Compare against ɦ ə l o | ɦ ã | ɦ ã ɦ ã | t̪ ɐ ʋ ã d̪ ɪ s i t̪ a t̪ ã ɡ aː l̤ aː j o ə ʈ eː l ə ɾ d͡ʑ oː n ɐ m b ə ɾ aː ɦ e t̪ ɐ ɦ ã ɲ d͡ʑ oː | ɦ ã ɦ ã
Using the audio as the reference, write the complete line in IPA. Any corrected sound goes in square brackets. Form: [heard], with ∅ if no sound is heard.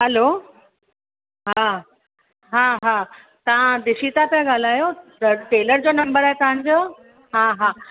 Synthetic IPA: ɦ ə l o | ɦ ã | ɦ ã ɦ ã | t̪ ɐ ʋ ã d̪ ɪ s i t̪ a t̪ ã ɡ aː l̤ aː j o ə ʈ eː l ə ɾ d͡ʑ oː n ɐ m b ə ɾ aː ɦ e t̪ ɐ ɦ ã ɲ d͡ʑ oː | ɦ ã ɦ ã

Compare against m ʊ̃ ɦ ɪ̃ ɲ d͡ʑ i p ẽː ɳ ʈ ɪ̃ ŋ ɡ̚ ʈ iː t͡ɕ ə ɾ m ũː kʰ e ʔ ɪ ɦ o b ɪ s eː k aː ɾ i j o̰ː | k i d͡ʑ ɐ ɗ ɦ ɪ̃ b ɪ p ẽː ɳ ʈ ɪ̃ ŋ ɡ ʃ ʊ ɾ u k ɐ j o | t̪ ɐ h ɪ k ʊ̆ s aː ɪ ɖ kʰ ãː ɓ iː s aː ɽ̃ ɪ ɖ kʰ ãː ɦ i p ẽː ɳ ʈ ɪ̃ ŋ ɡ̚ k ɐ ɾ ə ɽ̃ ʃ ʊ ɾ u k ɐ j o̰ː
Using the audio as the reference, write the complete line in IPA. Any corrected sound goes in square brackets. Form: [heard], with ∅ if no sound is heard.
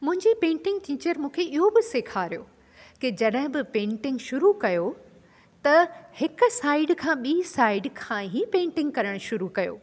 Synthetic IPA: m ʊ̃ ɦ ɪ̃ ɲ d͡ʑ i p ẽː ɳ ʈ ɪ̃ ŋ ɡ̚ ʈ iː t͡ɕ ə ɾ m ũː kʰ e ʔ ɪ ɦ o b ɪ s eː [kʰ] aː ɾ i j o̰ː | k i d͡ʑ ɐ ɗ ɦ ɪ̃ b ɪ p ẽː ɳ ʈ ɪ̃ ŋ ɡ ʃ ʊ ɾ u k ɐ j o | t̪ ɐ h ɪ k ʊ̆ s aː ɪ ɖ kʰ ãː ɓ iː s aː [∅] ɪ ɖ kʰ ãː ɦ i p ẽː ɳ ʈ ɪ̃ ŋ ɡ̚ k ɐ ɾ ə ɽ̃ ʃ ʊ ɾ u k ɐ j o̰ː

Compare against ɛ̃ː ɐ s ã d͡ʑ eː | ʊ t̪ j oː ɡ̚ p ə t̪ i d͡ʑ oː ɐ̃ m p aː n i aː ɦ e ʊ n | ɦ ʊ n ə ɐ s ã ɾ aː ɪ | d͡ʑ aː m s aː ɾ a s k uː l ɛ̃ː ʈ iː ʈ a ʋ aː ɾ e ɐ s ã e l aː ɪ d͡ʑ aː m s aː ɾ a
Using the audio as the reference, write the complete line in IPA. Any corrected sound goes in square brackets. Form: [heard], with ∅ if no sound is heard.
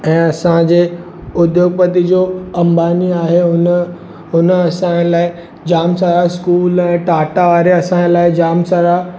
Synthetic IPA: ɛ̃ː ɐ s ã d͡ʑ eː | ʊ [d̪] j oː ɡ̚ p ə t̪ i d͡ʑ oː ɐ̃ m [b] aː n i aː ɦ e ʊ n | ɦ ʊ n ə ɐ s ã [l] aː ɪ | d͡ʑ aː m s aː ɾ a s k uː l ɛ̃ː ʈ [aː] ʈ a ʋ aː ɾ e ɐ s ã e l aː ɪ d͡ʑ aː m s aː ɾ a

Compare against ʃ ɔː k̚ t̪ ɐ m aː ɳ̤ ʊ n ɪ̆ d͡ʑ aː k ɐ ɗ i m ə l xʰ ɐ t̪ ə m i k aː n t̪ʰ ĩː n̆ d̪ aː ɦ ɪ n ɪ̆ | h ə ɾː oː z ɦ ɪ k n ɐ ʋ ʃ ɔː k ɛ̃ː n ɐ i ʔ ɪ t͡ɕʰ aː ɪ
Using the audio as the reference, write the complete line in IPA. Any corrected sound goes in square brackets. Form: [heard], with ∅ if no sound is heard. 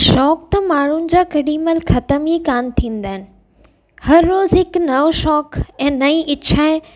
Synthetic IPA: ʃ ɔː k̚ t̪ ɐ m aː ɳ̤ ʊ n ɪ̆ d͡ʑ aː k ɐ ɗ i m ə l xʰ ɐ t̪ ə m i k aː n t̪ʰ ĩː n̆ d̪ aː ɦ ɪ n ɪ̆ | h [ɐ] ɾː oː z ɦ ɪ k n ɐ ʋ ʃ ɔː k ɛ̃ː n ɐ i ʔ ɪ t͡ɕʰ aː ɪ

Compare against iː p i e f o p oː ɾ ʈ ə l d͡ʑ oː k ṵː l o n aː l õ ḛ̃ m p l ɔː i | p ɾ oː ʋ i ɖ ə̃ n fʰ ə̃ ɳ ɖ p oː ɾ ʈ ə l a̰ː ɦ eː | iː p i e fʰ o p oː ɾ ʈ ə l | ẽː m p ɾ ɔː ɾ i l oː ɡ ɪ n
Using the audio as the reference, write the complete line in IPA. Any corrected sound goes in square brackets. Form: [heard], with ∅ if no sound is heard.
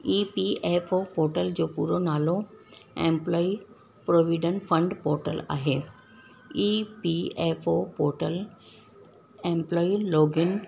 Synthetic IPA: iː p i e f o p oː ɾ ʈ ə l d͡ʑ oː [p] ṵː [ɾ] o n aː l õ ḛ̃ m p l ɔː i | p ɾ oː ʋ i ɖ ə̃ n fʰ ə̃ ɳ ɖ p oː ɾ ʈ ə l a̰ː ɦ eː | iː p i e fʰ o p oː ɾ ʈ ə l | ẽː m p [l] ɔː [∅] i l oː ɡ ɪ n

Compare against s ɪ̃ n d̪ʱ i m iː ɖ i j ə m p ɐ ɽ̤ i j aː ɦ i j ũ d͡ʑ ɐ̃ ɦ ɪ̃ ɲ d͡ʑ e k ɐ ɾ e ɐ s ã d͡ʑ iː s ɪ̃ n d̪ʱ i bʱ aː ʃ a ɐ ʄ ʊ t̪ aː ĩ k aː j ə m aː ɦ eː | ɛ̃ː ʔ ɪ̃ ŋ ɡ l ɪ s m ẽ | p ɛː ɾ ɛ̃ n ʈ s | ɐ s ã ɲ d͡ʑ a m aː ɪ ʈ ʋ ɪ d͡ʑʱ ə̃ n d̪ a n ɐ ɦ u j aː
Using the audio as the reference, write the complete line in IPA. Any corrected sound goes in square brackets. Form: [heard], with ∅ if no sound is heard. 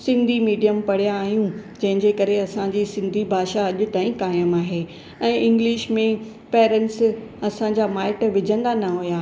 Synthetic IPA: s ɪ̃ n d̪ʱ i m iː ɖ i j ə m p ɐ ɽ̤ i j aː ɦ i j ũ d͡ʑ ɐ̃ ɦ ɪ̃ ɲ d͡ʑ e k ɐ ɾ e ɐ s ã d͡ʑ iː s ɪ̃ n d̪ʱ i bʱ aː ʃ a ɐ ʄ ʊ t̪ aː ĩ k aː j ə m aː ɦ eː | ɛ̃ː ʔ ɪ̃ ŋ ɡ l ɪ [ʃ] m ẽ | p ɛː ɾ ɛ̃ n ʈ s | ɐ s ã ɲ d͡ʑ a m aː ɪ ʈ ʋ ɪ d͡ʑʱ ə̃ n d̪ a n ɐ ɦ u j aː

